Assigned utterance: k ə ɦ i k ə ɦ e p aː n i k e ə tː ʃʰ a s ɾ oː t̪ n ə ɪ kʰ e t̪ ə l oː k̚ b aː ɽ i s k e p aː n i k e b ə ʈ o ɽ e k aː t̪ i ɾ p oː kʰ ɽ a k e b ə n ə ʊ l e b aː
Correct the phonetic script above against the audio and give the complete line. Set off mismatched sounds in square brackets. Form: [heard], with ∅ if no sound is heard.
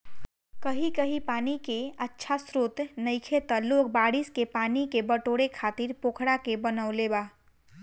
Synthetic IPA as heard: k ə ɦ i k ə ɦ [i] p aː n i k e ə tː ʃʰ a s ɾ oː t̪ n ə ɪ kʰ e t̪ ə l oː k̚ b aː ɽ i s k e p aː n i k e b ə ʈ o ɽ e [kʰ] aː t̪ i ɾ p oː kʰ ɽ a k e b ə n ə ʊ l e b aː